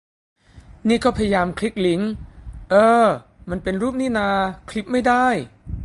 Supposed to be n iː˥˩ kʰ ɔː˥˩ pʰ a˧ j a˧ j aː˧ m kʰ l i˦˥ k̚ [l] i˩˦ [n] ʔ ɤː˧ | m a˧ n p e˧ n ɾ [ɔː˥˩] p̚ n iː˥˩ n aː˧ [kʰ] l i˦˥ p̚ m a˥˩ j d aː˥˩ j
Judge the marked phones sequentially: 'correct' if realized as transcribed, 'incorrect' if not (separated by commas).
correct, incorrect, incorrect, correct